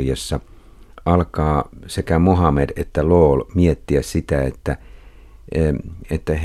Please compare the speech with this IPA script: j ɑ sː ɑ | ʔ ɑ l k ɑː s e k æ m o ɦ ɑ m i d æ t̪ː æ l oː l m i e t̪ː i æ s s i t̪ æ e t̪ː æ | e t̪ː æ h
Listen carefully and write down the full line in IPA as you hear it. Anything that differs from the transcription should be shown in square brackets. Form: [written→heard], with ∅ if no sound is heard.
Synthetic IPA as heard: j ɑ sː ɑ | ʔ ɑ l k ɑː s e k æ m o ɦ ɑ m [i→e] d [æ→e] t̪ː æ l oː l m i e t̪ː i æ s s i t̪ æ e t̪ː æ | e t̪ː æ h